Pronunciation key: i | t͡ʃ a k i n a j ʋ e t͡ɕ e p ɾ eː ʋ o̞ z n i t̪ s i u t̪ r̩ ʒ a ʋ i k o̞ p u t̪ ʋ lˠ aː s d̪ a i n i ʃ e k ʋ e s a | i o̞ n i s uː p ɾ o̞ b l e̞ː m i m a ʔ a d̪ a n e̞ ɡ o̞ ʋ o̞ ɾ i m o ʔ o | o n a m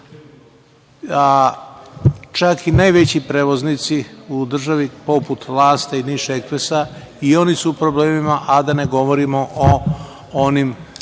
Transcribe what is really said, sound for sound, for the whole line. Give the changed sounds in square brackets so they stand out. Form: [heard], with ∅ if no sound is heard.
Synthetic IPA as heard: [a] | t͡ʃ a k i n a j ʋ e t͡ɕ [i] p ɾ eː ʋ o̞ z n i t̪ s i u [d̪] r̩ ʒ a ʋ i [p] o̞ p u t̪ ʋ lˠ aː s [t̪] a i n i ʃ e k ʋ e s a | i o̞ n i s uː p ɾ o̞ b l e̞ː m i m a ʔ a d̪ a n e̞ ɡ o̞ ʋ o̞ ɾ i m o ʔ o | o n [i] m